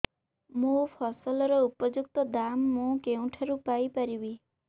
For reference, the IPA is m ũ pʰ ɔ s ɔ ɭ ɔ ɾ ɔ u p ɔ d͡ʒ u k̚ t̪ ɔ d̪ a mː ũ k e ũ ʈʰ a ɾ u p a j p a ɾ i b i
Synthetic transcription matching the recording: m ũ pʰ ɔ s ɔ l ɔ ɾ ɔ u p ɔ d͡ʒ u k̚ t̪ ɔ d̪ a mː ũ k e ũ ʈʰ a ɾ u p a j p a ɾ i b i